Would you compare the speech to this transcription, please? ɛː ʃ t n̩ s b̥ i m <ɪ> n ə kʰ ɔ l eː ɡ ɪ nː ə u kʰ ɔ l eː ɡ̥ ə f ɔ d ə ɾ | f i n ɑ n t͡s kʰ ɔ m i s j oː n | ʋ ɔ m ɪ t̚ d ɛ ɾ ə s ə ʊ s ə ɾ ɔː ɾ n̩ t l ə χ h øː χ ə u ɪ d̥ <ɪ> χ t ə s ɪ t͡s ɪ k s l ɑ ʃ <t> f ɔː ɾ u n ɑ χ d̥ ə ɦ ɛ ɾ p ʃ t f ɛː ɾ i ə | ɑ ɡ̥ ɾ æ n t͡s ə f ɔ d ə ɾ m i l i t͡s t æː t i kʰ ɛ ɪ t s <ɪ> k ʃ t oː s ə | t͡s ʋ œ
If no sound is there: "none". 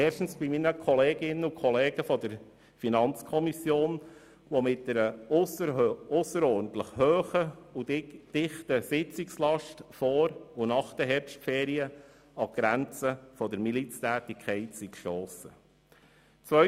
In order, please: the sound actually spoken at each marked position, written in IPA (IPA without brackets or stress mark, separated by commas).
i, ɪ, t, i